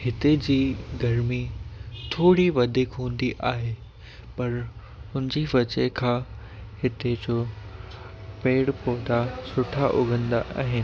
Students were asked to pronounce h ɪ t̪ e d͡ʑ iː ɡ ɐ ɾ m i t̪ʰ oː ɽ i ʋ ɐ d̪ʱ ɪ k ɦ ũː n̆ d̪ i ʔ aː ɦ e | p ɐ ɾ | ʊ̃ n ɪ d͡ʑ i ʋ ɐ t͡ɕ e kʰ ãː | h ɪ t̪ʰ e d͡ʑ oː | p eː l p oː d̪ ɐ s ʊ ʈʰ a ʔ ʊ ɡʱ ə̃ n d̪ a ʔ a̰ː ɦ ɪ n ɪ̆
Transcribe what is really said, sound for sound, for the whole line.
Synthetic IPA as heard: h ɪ t̪ e d͡ʑ iː ɡ ɐ ɾ m i t̪ʰ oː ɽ i ʋ ɐ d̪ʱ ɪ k ɦ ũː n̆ d̪ i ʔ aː ɦ e | p ɐ ɾ | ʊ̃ n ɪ d͡ʑ i ʋ ɐ t͡ɕ e kʰ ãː | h ɪ t̪ e d͡ʑ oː | p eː ɽ p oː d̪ a s ʊ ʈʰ a ʔ ʊ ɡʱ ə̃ n d̪ a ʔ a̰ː ɦ ɪ n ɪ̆